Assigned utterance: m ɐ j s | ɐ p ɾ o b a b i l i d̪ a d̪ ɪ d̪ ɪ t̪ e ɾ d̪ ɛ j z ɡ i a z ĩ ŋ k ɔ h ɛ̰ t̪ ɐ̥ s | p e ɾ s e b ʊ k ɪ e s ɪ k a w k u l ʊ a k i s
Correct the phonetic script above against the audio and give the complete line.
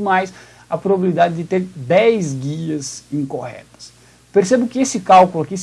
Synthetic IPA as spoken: m a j s | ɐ p ɾ o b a b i l i d̪ a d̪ ɪ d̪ ɪ t̪ e ɾ d̪ ɛ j z ɡ i ɐ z ĩ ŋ k o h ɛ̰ t̪ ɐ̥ s | p e ɾ s e b ʊ k ɪ e s ɪ k a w k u l ʊ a k i s